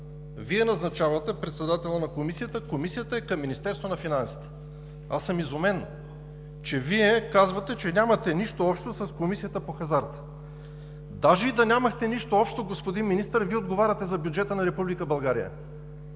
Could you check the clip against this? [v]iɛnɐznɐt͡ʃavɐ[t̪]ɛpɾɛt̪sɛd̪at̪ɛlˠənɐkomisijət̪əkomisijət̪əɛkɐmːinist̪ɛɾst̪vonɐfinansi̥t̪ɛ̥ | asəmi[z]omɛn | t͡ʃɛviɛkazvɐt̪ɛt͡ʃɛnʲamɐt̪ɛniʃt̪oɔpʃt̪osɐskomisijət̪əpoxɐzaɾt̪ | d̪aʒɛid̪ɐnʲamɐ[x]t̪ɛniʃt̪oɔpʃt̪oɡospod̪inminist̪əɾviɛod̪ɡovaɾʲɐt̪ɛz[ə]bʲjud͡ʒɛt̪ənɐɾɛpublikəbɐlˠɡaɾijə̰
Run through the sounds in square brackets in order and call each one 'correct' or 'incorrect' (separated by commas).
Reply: correct, correct, correct, correct, incorrect